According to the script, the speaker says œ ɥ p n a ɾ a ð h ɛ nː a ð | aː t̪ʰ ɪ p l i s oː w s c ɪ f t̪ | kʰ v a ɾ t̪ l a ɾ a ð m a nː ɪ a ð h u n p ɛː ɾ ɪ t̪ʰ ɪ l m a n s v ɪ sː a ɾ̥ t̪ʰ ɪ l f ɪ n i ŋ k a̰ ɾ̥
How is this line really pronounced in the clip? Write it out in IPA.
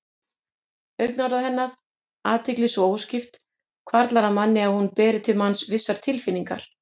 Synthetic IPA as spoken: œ ɥ k n a ɾ a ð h ɛ nː a ð | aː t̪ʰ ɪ k l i s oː w s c ɪ f t̪ | kʰ v a ɾ t̪ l a ɾ a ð m a nː ɪ a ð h u n p ɛː ɾ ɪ t̪ʰ ɪ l m a n s v ɪ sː a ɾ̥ t̪ʰ ɪ l f ɪ n i ŋ k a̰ ɾ̥